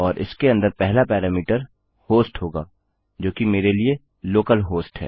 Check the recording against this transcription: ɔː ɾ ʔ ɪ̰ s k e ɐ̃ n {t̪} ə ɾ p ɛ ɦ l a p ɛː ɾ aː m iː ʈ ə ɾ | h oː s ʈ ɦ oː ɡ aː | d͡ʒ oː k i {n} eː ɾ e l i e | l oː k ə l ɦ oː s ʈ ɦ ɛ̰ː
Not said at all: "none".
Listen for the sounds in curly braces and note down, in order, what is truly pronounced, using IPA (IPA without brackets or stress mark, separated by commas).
d̪, m